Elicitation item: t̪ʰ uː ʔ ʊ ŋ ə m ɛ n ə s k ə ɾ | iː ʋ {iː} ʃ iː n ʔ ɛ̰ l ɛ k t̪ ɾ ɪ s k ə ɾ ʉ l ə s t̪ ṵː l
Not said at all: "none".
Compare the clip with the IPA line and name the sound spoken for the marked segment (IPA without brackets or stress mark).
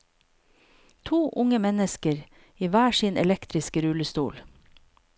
æː